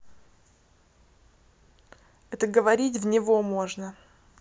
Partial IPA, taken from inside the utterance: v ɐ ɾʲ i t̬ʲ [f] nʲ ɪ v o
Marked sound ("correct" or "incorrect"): incorrect